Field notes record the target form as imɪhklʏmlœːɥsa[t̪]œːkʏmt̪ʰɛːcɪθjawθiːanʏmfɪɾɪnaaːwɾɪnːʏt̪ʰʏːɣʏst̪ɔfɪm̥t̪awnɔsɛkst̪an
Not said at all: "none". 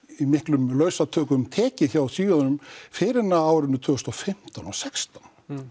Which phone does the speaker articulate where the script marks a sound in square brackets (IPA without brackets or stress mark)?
t̪ʰ